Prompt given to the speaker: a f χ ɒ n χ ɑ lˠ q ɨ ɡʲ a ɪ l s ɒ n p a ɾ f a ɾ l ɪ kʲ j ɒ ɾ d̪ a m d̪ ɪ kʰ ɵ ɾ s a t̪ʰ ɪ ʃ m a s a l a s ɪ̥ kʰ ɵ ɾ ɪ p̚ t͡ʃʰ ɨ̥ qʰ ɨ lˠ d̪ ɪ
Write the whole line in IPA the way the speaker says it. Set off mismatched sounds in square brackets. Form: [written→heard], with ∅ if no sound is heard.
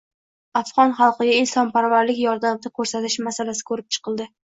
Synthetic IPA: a f [χ→ʁ] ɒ n χ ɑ lˠ q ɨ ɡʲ a ɪ l s ɒ n p a ɾ [f→v] a ɾ l ɪ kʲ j ɒ ɾ d̪ a m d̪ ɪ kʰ ɵ ɾ s a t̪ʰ ɪ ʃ m a s a l a s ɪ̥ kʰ ɵ ɾ ɪ p̚ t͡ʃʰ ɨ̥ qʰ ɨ lˠ d̪ ɪ